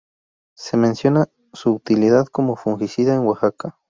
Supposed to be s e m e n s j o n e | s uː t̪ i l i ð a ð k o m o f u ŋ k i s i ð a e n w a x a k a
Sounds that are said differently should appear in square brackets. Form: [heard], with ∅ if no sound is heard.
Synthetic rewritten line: s e m e n s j o n [a] | s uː t̪ i l i ð a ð k o m o f u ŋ [x] i s i ð a e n w a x a k a

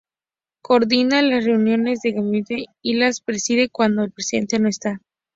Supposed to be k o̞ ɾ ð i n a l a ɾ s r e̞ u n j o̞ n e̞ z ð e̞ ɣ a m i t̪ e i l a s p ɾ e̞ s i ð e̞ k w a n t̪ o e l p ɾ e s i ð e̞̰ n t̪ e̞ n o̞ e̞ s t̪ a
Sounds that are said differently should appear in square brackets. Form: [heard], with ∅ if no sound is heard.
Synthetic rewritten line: k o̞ ɾ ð i n a l a [∅] s r e̞ u n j o̞ n e̞ z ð e̞ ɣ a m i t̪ e i l a s p ɾ e̞ s i ð e̞ k w a n [d̪] o e l p ɾ e s i ð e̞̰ n t̪ e̞ n o̞ e̞ s t̪ a

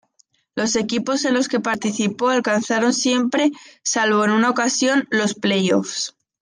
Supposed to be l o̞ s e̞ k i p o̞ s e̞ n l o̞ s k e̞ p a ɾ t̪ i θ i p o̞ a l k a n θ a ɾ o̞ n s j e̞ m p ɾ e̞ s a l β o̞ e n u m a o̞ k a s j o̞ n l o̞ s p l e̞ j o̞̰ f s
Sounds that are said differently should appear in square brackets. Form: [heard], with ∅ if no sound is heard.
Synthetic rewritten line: l o̞ s e̞ k i p o̞ s e̞ n l o̞ s k e̞ p a ɾ t̪ i θ i p o̞ a l k a n θ a ɾ o̞ n s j e̞ m p ɾ e̞ s a l β o̞ e n u [n] a o̞ k a s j o̞ n l o̞ s p l e̞ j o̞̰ f s

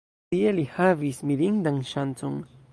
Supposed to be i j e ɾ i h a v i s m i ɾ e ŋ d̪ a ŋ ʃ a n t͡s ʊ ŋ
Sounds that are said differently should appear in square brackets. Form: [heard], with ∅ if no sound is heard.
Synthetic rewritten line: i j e [l] i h a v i s m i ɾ [i] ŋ d̪ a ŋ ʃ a n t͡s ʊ ŋ

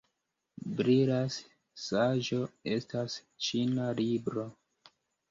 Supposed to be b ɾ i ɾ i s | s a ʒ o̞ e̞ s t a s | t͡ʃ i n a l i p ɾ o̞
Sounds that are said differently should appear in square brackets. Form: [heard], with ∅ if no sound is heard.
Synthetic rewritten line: b ɾ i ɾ [a] s | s a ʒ o̞ e̞ s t a s | t͡ʃ i n a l i [b] ɾ o̞

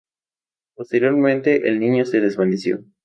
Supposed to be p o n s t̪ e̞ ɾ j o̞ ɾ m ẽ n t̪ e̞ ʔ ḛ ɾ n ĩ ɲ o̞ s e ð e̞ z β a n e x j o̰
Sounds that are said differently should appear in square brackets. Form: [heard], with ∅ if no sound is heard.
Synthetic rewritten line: p o [∅] s t̪ e̞ ɾ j o̞ ɾ m ẽ n t̪ e̞ ʔ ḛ [l] n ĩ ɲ o̞ s e ð e̞ z β a n e [s] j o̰

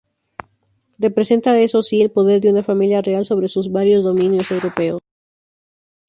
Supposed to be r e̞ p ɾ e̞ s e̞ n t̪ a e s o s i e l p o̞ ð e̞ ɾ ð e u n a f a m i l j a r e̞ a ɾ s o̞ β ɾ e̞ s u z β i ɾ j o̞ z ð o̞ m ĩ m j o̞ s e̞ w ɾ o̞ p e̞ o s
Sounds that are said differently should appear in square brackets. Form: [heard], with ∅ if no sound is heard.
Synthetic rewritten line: r e̞ p ɾ e̞ s e̞ n t̪ a e s o s i e l p o̞ ð e̞ ɾ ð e u n a f a m i l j a r e̞ a [l] s o̞ β ɾ e̞ s u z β [a] ɾ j o̞ z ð o̞ m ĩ [n] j o̞ s e̞ w ɾ o̞ p e̞ o s

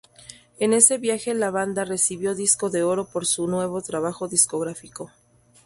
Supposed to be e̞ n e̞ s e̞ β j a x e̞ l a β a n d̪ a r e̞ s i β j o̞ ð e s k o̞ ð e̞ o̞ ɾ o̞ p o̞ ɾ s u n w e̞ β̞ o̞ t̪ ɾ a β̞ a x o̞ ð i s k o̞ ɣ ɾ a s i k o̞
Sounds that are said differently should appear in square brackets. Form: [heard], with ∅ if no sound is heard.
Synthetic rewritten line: e̞ n e̞ s e̞ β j a x e̞ l a β a n d̪ a r e̞ s i β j o̞ ð [i] s k o̞ ð e̞ o̞ ɾ o̞ p o̞ ɾ s u n w e̞ β̞ o̞ t̪ ɾ a β̞ a x o̞ ð i s k o̞ ɣ ɾ a [f] i k o̞

